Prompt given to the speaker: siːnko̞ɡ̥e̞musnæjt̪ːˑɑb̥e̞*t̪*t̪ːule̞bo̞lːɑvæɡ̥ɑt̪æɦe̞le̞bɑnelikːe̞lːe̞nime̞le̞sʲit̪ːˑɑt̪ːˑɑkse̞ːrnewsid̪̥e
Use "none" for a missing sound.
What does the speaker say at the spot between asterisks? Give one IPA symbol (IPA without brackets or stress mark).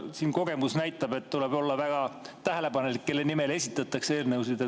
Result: t̪